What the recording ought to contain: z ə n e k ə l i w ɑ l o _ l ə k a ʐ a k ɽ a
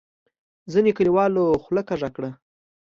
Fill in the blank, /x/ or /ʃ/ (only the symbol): x